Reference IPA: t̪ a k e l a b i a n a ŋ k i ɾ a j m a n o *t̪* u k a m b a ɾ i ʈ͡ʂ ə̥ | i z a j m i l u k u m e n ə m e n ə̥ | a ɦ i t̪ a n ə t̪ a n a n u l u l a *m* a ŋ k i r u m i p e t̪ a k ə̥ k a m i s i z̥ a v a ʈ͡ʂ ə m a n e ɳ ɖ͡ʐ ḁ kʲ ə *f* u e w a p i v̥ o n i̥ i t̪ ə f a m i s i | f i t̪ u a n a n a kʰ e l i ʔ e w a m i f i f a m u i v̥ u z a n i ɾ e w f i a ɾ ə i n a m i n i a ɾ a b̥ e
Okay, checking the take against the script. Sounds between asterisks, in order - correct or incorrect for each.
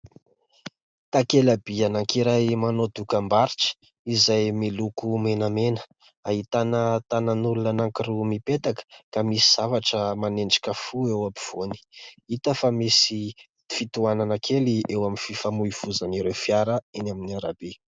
incorrect: d̪, incorrect: n, correct

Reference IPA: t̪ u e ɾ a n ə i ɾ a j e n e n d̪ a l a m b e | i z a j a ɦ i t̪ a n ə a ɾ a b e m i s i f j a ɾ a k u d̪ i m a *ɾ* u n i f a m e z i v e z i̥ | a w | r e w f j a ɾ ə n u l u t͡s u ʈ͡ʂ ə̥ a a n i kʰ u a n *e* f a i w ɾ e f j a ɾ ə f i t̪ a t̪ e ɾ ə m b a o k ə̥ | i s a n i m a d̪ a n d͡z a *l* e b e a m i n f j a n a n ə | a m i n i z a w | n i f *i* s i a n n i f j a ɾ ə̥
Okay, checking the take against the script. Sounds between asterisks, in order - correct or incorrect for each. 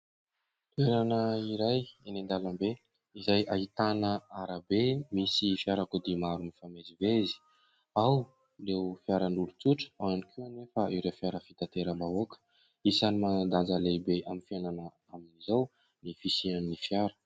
correct, correct, correct, correct

